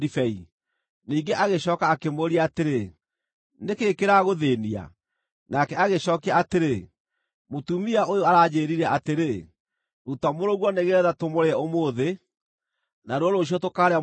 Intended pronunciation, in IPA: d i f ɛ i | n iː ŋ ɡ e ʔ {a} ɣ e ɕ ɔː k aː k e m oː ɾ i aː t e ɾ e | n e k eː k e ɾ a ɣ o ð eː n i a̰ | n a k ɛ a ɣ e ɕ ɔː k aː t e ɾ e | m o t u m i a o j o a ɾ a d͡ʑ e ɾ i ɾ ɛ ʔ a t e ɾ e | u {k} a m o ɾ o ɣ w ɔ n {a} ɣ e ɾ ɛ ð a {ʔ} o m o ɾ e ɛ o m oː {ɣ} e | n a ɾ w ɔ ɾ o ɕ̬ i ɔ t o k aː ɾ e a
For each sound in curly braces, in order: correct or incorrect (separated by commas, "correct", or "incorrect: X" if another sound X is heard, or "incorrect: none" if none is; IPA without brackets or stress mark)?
correct, incorrect: t, incorrect: e, incorrect: t, incorrect: ð